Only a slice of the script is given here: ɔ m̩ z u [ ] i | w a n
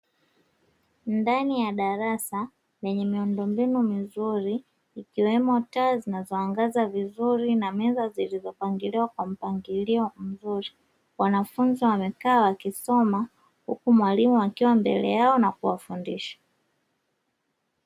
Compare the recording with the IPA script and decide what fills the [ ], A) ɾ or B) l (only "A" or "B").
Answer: A